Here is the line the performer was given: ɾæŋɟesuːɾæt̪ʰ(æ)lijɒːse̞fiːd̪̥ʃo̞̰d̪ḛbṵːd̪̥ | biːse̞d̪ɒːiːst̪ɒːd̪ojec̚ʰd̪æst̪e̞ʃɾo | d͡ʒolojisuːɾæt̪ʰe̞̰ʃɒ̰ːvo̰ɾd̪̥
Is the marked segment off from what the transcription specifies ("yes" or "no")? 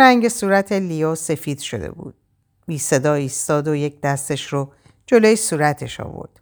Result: yes